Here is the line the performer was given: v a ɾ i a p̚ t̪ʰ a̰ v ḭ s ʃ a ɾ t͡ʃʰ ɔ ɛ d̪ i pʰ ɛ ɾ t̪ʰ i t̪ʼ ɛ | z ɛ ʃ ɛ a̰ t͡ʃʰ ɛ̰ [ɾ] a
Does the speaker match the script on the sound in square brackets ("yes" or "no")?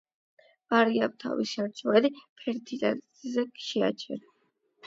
yes